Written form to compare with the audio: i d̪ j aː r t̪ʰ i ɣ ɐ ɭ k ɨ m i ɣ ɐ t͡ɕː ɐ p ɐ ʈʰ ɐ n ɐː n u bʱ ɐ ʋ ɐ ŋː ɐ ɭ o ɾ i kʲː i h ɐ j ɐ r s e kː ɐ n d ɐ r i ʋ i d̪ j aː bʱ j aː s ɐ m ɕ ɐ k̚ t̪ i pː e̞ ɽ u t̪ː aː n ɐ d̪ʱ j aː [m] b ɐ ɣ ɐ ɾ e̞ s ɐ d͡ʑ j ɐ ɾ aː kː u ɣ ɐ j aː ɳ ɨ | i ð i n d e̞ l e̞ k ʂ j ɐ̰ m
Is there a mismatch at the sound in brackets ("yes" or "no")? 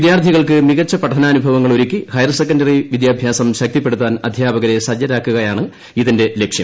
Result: yes